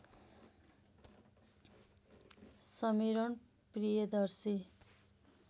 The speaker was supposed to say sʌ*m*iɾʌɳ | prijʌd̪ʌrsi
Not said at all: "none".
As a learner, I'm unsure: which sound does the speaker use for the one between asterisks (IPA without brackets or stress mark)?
m